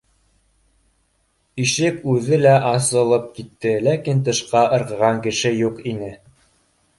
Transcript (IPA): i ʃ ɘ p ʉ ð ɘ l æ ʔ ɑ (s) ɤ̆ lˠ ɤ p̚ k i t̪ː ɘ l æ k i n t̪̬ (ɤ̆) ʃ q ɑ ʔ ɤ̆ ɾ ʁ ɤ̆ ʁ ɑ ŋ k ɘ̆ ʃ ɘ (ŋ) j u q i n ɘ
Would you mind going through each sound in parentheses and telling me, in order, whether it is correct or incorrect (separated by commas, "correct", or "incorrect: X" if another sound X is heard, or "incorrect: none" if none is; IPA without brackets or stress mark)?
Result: correct, correct, incorrect: none